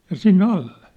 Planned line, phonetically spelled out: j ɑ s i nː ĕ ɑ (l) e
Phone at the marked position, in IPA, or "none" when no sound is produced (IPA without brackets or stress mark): lː